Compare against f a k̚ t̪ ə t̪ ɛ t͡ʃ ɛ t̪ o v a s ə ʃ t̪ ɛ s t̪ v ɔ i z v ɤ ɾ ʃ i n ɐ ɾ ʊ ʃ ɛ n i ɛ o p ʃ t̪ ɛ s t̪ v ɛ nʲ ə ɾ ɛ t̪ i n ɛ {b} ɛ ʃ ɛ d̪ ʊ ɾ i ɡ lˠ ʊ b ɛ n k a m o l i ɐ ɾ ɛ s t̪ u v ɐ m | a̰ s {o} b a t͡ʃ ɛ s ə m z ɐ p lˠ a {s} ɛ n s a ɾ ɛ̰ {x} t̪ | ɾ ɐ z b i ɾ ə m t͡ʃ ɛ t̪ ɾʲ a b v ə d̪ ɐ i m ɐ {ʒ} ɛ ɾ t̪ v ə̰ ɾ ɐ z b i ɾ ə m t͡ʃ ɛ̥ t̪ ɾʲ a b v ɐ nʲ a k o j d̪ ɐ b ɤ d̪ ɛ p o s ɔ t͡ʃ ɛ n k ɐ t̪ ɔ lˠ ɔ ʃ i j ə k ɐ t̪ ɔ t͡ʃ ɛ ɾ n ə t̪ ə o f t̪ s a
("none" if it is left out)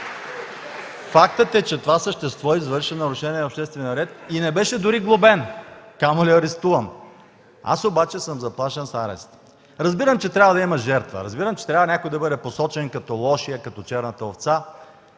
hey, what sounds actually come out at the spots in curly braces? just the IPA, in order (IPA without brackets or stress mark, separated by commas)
b, o, ʃ, s, ʒ